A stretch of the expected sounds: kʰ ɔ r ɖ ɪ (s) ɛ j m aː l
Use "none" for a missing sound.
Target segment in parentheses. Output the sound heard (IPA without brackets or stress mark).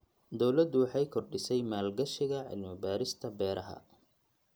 s